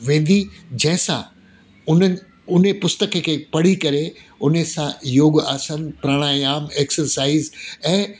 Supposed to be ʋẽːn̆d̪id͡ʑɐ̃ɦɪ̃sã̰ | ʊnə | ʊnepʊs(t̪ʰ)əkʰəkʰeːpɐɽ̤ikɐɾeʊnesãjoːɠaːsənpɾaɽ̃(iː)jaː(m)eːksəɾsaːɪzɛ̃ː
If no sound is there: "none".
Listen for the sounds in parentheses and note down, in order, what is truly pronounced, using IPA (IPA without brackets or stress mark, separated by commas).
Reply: t̪, aː, m